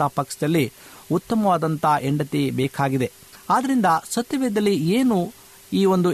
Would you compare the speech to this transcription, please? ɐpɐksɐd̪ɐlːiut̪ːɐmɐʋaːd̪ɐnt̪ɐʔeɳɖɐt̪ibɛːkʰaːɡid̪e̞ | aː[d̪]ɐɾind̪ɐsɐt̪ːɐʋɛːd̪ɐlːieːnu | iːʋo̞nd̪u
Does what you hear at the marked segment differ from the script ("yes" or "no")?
no